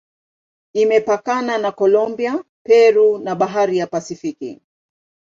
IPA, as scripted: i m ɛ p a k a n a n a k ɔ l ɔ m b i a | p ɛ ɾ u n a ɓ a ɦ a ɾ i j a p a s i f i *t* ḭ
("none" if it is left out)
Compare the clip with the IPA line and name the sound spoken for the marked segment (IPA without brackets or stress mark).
k